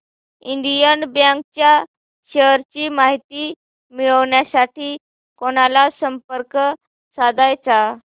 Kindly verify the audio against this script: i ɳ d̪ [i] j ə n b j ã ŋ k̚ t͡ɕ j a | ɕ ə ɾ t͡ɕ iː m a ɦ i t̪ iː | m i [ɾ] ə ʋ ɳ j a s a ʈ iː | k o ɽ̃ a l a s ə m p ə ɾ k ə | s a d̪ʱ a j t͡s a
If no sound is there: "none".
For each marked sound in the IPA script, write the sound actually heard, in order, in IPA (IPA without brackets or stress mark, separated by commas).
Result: i, ɭ